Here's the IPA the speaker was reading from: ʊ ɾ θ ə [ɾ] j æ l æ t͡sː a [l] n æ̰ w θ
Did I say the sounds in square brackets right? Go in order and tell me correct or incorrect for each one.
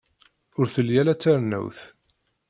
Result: incorrect: l, incorrect: ɾ

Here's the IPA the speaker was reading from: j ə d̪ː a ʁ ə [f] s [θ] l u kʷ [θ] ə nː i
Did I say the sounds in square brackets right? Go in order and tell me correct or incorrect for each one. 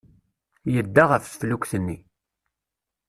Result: correct, incorrect: f, correct

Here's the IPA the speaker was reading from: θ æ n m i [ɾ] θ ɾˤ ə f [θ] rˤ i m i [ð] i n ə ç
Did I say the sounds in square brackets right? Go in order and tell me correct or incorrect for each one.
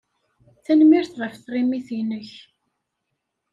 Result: correct, correct, incorrect: θ

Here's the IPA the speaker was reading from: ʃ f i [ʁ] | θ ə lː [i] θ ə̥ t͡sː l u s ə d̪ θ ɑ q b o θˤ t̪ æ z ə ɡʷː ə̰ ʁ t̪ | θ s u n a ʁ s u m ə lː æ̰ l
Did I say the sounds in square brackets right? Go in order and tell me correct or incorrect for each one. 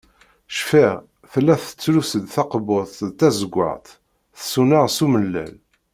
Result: correct, incorrect: æ

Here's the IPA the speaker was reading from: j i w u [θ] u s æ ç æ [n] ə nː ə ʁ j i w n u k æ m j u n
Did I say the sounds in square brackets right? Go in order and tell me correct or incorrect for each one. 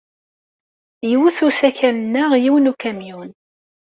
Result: correct, correct

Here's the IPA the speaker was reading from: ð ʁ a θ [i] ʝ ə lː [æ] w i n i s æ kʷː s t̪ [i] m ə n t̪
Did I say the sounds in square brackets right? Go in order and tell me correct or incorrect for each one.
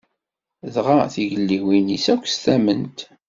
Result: correct, incorrect: i, incorrect: æ

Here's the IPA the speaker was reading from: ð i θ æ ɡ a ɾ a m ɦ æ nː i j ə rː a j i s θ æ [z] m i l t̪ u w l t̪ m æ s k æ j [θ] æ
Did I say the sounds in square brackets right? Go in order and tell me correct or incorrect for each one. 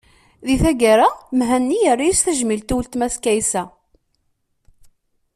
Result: incorrect: ʒ, incorrect: s

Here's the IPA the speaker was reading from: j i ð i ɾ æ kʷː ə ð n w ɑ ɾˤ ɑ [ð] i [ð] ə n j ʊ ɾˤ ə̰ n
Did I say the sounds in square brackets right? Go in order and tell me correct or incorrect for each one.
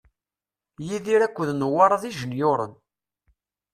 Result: correct, incorrect: ʒ

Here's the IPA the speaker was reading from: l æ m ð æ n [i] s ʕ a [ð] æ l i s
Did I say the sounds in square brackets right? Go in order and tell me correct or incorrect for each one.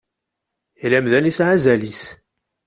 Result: correct, incorrect: z

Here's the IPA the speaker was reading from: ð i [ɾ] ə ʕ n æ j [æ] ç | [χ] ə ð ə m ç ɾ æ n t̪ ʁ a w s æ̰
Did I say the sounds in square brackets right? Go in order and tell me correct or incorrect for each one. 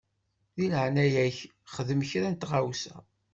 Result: incorrect: l, correct, correct

